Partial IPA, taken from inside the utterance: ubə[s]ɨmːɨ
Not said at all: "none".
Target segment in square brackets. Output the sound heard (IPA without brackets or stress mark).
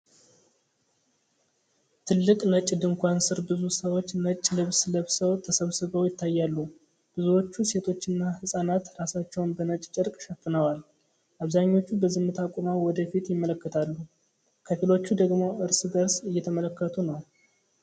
z